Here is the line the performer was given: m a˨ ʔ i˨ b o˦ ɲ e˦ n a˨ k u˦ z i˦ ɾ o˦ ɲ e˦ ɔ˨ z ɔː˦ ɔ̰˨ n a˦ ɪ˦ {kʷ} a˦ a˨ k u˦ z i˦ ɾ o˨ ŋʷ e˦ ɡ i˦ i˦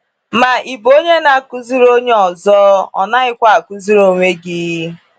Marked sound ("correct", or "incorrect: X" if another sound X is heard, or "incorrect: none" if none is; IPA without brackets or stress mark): correct